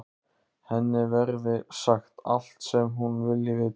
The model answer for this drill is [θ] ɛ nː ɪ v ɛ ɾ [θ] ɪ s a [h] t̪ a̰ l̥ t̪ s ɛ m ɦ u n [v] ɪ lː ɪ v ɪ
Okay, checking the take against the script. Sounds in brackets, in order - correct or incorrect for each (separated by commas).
incorrect, incorrect, incorrect, correct